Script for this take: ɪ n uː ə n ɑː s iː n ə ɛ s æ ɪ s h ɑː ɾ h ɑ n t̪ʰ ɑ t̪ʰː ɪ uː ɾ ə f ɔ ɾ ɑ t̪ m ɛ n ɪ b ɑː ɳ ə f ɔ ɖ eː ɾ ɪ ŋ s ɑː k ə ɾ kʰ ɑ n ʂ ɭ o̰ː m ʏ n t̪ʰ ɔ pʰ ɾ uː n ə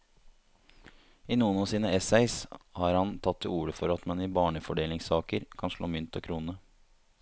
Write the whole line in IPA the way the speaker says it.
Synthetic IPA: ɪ n uː ə n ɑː s iː n ə ɛ s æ ɪ s h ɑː ɾ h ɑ n t̪ʰ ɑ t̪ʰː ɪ uː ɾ ə f ɔ ɾ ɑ t̪ m ɛ n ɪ b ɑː ɳ ə f ɔ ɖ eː l ɪ ŋ s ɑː k ə ɾ kʰ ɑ n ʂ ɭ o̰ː m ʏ n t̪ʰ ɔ kʰ ɾ uː n ə